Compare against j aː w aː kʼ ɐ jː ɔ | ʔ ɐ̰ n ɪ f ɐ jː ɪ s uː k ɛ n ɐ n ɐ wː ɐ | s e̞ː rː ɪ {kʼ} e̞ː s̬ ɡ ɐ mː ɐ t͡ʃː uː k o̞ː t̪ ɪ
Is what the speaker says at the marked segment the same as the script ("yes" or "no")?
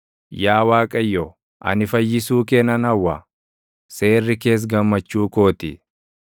no